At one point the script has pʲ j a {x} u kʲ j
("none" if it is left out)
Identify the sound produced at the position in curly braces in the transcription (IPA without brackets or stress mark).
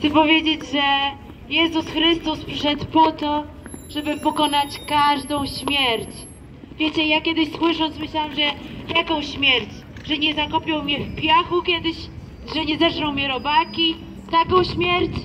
x